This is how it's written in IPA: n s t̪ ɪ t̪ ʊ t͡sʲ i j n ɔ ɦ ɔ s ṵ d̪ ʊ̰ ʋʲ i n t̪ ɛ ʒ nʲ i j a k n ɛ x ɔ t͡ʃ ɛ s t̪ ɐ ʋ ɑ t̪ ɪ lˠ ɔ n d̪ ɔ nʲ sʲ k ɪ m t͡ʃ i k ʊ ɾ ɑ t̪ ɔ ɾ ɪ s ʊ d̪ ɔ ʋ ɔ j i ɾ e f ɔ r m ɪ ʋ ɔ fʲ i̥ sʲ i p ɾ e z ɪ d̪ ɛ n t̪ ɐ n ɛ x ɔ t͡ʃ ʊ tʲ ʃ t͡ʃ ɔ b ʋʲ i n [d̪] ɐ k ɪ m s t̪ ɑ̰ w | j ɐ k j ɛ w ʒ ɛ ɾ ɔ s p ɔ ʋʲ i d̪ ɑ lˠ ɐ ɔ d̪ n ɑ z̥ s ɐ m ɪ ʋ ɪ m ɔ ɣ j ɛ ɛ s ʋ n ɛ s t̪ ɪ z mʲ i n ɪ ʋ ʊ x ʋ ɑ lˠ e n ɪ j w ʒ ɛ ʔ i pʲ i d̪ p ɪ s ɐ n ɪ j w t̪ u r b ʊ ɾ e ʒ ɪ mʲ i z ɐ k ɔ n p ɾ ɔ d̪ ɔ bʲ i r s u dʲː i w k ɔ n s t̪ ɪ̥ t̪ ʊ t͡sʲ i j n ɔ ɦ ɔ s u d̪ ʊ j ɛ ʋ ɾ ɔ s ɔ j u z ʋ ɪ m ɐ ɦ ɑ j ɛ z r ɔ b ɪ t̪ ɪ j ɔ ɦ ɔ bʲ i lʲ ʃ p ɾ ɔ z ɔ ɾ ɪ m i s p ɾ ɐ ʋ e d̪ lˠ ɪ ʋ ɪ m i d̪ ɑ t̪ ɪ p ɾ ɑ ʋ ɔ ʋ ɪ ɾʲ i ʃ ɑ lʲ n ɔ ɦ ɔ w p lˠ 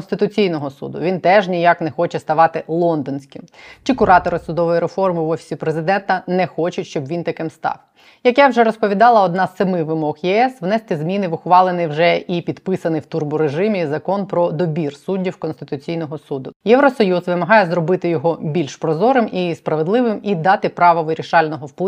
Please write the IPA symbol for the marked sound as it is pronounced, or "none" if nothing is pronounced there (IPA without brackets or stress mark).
t̪